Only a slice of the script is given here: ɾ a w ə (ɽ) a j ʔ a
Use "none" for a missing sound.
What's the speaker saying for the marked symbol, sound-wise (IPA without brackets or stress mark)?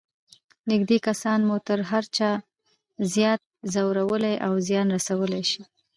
l